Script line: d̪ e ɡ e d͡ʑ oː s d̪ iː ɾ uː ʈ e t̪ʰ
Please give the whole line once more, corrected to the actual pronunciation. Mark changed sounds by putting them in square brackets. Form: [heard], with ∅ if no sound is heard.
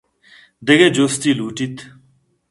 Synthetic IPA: d̪ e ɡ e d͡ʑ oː s [t̪] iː [l] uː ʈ [i] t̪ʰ